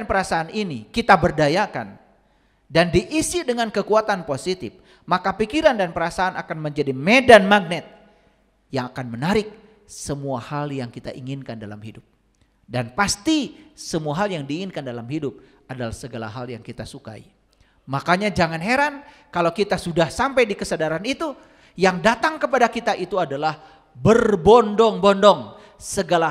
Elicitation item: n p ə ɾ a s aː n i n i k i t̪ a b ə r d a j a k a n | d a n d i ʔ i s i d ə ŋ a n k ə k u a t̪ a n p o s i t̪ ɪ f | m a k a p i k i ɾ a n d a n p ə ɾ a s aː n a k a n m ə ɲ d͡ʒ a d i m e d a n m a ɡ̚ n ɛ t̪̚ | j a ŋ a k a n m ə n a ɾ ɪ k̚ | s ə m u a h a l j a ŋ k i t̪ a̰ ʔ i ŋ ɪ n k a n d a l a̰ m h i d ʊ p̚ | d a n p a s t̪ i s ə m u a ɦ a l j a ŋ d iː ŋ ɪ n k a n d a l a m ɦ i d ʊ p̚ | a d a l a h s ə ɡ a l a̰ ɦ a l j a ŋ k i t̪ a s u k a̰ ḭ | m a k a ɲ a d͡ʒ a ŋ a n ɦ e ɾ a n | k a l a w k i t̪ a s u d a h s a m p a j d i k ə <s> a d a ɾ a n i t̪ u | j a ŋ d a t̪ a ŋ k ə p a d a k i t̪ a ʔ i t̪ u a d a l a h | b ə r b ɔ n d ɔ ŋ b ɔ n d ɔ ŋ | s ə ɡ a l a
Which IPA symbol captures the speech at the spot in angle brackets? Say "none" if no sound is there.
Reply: s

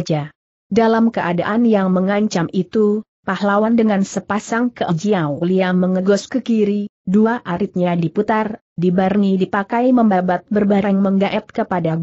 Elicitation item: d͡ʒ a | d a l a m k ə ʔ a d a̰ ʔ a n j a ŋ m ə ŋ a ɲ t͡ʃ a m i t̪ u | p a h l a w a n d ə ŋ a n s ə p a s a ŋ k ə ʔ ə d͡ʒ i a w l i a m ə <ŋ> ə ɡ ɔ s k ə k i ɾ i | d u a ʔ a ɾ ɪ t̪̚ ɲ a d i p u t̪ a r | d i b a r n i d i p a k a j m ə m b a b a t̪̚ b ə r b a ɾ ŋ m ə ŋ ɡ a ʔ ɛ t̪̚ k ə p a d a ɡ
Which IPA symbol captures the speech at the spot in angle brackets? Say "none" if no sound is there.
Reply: ŋ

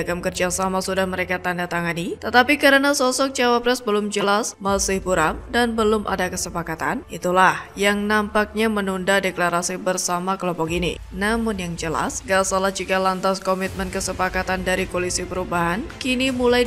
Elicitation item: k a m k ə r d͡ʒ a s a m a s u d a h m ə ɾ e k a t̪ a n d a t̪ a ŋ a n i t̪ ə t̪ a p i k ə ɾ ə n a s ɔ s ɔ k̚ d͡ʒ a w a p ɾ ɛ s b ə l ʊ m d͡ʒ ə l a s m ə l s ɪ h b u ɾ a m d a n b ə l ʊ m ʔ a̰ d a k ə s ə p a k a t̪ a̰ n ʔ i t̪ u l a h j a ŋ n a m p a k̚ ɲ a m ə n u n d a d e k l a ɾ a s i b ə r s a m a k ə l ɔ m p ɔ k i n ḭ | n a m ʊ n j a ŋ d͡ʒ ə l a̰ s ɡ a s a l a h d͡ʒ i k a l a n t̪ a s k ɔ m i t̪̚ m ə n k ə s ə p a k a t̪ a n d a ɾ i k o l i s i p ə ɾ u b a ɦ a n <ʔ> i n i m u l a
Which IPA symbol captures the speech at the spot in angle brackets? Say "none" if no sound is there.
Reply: k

